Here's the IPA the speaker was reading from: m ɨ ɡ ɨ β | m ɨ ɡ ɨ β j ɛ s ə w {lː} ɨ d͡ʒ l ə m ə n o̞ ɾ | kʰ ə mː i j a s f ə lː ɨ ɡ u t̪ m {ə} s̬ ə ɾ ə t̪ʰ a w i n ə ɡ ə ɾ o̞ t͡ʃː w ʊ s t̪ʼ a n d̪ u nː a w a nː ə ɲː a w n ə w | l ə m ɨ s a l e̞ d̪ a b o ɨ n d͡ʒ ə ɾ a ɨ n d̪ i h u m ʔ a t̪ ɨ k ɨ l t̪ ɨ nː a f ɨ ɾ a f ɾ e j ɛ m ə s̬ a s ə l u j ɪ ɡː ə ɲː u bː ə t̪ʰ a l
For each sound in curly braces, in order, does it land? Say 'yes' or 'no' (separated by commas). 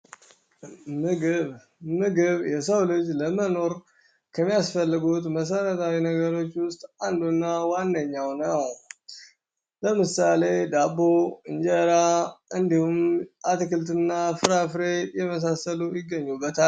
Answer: no, yes